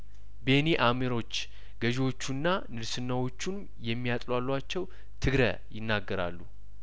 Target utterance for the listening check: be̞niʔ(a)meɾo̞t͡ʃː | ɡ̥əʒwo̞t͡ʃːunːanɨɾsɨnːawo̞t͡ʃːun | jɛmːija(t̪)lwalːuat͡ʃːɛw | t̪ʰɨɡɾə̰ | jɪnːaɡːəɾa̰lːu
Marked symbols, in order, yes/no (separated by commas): yes, no